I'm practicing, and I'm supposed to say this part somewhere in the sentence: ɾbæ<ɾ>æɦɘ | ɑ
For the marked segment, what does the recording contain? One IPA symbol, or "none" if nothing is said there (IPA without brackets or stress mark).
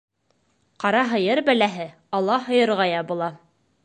l